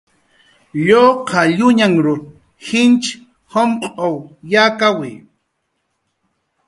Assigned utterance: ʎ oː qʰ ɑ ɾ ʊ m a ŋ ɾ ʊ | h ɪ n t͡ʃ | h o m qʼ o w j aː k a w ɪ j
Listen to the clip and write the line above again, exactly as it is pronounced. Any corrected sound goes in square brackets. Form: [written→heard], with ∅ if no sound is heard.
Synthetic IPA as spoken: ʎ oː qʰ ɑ [ɾ→ʎ] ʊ [m→ɲ] a ŋ ɾ ʊ | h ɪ n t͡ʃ | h o m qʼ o w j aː k a w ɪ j

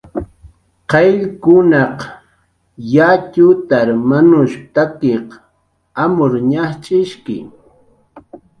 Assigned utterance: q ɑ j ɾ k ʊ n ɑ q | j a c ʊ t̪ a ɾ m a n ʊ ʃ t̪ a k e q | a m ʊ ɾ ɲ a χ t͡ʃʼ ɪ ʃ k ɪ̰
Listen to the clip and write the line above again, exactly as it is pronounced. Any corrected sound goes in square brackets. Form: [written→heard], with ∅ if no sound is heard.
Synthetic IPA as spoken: q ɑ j [ɾ→ʎ] k ʊ n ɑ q | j a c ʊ t̪ a ɾ m a n ʊ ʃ t̪ a k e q | a m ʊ ɾ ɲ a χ t͡ʃʼ ɪ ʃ k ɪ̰

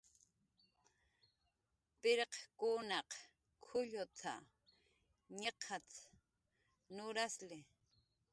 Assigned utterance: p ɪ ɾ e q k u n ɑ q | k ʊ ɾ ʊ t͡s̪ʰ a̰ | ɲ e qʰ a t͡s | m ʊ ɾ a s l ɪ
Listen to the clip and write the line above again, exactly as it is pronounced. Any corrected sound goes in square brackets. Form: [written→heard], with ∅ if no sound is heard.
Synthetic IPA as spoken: p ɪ ɾ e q k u n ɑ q | [k→kʰ] ʊ [ɾ→ʎ] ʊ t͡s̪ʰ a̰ | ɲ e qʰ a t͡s | [m→n] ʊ ɾ a s l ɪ

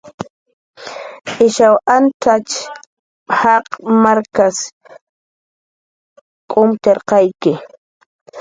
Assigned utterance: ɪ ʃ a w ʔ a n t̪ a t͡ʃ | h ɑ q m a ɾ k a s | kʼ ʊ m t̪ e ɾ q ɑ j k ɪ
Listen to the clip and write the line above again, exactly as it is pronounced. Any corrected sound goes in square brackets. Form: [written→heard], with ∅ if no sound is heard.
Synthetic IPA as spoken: ɪ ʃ a w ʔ a n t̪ a t͡ʃ | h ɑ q m a ɾ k a s | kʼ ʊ m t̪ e ɾ q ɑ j k ɪ

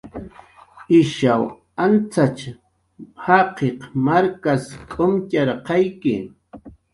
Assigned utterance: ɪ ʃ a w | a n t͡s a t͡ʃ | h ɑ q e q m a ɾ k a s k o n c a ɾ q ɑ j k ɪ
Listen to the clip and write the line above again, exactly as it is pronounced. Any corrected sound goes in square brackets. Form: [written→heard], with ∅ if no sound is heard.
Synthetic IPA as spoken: ɪ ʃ a w | a n t͡s a t͡ʃ | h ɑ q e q m a ɾ k a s [k→kʼ] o [n→m] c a ɾ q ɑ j k ɪ

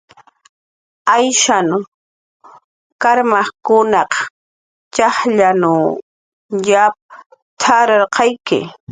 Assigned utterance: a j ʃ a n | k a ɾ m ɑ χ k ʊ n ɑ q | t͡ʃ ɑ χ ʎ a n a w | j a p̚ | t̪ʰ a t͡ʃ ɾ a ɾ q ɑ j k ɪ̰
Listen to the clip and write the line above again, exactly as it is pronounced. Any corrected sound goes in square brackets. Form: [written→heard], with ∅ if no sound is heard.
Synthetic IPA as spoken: a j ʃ a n | k a ɾ m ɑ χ k ʊ n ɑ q | t͡ʃ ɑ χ ʎ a n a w | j a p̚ | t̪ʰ a [t͡ʃ→∅] ɾ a ɾ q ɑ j k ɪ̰

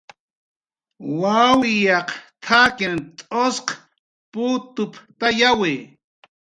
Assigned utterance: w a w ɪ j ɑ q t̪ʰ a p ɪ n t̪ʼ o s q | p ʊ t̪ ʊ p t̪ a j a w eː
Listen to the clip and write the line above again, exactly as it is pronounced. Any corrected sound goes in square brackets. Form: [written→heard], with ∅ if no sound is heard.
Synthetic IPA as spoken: w a w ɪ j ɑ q t̪ʰ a [p→k] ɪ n t̪ʼ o s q | p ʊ t̪ ʊ p t̪ a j a w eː

